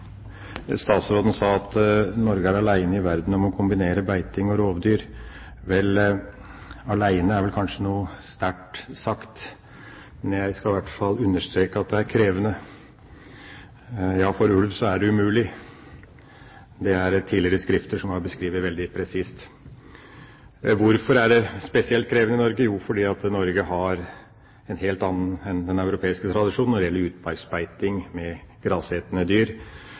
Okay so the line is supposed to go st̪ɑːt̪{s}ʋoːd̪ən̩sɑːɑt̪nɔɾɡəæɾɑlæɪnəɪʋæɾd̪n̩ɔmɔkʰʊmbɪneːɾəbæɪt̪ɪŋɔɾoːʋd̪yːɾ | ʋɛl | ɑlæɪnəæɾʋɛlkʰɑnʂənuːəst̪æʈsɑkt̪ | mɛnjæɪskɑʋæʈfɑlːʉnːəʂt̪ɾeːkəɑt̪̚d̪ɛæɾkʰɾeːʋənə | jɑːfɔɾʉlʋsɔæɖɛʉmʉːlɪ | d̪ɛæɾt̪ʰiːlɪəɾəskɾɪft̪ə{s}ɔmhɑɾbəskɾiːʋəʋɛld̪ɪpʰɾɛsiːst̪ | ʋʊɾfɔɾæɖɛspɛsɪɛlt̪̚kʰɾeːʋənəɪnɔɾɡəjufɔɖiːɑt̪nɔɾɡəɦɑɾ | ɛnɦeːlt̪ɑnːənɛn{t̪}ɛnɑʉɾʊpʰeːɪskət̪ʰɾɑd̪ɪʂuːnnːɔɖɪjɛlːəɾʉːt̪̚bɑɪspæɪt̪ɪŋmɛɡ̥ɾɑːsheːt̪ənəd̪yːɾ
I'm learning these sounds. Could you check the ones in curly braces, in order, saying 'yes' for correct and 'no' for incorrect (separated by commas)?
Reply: yes, no, no